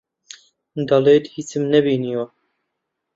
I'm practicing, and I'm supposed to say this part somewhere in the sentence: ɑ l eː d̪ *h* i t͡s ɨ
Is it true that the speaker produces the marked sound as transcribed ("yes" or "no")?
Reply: yes